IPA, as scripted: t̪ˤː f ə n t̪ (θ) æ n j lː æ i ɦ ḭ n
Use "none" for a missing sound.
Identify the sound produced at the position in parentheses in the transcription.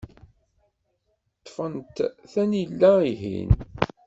θ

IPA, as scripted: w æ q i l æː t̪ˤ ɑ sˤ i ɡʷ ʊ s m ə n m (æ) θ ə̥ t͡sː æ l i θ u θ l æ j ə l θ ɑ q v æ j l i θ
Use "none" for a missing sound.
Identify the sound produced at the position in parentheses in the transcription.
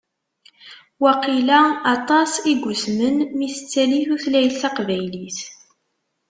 i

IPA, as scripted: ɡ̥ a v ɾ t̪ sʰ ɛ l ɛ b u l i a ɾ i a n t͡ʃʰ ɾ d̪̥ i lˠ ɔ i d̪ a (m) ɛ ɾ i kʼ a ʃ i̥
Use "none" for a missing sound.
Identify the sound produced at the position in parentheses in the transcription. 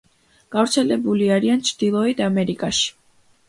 m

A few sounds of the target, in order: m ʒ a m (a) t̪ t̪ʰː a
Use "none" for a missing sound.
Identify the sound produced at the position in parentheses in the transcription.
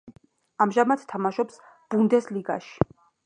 a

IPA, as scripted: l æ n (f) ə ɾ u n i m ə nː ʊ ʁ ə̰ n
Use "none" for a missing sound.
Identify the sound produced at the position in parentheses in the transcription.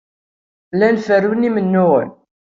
f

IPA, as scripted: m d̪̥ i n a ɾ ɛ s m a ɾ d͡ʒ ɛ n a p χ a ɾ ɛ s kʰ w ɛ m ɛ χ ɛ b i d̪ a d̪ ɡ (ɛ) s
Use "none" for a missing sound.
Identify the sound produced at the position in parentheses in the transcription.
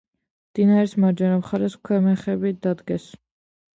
ɛ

